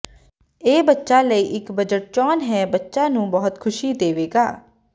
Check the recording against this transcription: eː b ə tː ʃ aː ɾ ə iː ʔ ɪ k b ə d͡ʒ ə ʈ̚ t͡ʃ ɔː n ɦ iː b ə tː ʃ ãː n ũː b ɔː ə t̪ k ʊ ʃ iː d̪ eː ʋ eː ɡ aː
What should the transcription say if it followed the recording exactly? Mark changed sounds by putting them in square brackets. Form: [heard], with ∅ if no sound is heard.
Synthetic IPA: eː b ə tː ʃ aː [l] ə iː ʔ ɪ k b ə d͡ʒ ə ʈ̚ t͡ʃ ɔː n ɦ [ɛː] b ə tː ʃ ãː n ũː b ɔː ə t̪ [kʰ] ʊ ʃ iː d̪ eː ʋ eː ɡ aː